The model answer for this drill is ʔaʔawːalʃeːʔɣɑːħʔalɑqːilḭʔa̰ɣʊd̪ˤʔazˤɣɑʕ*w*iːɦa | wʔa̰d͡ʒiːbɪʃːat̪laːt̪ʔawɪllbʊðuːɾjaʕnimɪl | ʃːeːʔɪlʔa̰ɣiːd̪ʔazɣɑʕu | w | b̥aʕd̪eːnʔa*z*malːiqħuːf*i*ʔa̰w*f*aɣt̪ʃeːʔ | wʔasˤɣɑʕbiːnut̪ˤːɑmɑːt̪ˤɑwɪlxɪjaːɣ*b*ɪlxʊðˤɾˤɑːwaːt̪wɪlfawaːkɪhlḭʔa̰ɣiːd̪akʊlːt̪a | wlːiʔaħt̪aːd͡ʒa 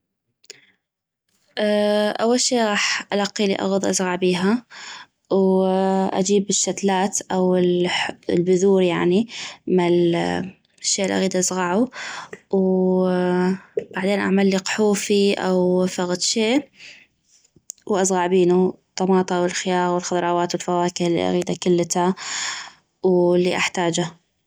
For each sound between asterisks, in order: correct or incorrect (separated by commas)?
incorrect, incorrect, correct, correct, incorrect